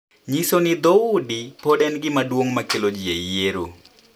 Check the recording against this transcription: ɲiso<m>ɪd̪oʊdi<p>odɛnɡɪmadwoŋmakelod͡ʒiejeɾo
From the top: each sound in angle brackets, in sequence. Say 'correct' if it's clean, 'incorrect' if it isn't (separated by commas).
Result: incorrect, correct